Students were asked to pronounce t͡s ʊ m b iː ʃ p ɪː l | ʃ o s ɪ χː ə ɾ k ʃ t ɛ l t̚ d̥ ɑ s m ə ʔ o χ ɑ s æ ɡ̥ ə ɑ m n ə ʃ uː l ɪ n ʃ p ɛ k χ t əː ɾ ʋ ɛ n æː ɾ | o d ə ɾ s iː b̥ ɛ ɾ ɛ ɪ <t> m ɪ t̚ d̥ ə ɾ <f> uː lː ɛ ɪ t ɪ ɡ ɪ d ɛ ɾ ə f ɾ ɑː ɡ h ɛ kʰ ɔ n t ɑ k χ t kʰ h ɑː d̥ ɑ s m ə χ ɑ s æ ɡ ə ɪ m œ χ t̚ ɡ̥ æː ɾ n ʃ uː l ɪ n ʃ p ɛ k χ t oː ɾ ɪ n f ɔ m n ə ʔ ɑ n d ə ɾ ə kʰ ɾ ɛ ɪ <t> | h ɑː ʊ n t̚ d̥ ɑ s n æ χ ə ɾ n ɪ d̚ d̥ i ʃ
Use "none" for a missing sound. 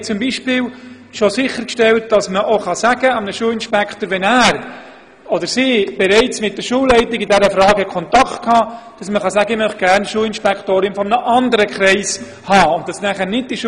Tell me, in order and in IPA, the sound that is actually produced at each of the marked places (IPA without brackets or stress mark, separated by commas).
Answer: t͡s, ʃ, s